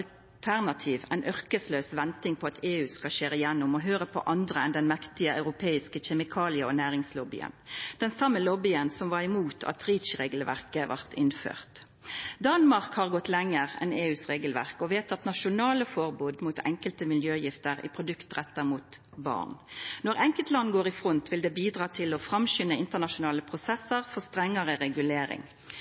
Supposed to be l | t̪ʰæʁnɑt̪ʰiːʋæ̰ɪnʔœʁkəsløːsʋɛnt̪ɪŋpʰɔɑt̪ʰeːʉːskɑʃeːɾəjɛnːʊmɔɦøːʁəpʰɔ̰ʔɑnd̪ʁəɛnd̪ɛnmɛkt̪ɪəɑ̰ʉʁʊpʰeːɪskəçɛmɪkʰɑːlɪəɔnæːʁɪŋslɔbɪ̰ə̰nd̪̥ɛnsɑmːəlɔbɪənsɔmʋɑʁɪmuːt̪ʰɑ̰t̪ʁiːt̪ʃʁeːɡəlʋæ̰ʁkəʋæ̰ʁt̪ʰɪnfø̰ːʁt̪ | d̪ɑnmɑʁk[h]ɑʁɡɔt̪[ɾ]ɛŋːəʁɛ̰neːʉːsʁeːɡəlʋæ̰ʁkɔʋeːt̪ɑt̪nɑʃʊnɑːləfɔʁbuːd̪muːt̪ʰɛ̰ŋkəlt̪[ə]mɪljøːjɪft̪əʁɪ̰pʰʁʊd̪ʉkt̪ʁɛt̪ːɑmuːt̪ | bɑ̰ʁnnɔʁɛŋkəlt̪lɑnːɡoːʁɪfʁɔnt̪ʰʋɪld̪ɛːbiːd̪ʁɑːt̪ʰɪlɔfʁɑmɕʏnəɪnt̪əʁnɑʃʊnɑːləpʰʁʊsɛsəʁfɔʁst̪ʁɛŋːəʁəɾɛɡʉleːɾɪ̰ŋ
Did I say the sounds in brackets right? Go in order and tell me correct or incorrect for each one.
correct, incorrect: l, correct

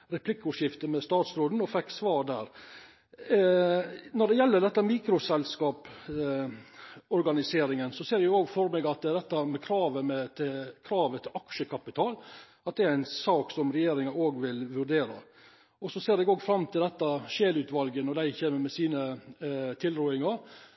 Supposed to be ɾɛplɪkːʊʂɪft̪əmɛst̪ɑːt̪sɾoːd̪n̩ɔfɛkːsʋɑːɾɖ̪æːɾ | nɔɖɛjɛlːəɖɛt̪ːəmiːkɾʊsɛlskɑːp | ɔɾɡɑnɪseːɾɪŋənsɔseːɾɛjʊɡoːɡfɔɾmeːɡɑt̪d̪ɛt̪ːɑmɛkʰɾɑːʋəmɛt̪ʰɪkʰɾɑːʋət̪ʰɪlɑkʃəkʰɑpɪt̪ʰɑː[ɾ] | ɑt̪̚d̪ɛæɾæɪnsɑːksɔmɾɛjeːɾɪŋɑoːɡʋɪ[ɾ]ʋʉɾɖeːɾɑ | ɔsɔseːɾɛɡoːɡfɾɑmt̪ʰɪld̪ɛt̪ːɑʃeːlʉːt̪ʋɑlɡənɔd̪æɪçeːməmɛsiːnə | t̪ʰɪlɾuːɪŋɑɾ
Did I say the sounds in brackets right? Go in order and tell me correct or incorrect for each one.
incorrect: l, incorrect: l

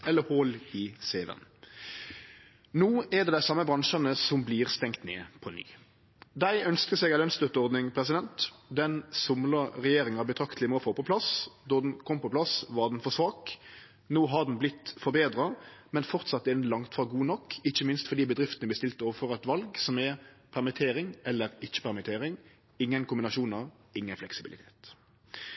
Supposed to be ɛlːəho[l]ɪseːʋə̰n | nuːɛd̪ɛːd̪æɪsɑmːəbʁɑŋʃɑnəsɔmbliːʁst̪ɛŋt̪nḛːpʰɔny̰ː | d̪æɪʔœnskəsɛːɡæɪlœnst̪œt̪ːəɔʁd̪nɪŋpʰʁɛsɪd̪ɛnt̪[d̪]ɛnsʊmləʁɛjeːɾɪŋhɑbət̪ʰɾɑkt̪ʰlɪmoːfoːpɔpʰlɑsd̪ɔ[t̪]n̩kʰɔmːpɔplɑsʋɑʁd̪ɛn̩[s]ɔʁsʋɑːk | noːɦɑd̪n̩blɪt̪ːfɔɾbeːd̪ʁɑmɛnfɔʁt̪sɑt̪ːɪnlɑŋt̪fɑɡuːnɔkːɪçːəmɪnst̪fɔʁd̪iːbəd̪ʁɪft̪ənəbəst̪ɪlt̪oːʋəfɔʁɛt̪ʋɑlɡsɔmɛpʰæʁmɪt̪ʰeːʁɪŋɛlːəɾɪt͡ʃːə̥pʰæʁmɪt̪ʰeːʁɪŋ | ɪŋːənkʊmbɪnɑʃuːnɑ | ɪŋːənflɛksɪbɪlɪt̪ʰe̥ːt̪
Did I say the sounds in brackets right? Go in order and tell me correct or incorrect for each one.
correct, correct, incorrect: d̪, incorrect: f

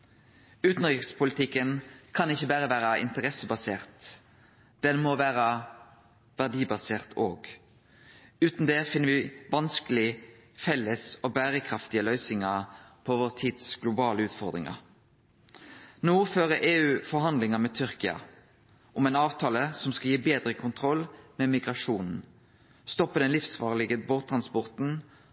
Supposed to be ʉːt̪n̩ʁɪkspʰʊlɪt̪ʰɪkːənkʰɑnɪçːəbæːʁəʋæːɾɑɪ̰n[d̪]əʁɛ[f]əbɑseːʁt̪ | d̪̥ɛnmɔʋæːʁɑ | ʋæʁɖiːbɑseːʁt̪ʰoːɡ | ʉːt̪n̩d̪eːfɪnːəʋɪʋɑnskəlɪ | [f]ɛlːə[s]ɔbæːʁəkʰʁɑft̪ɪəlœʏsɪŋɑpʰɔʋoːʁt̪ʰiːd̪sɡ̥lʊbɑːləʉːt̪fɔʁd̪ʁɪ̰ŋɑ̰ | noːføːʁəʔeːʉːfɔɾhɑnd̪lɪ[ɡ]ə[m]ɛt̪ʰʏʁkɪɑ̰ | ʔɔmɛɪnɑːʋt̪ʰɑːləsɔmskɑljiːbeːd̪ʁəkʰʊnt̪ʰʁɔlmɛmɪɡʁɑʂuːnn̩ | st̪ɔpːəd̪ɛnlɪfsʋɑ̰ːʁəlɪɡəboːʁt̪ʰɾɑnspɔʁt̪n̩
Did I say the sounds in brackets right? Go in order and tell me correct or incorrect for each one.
incorrect: t̪, incorrect: s, correct, correct, incorrect: ŋ, correct

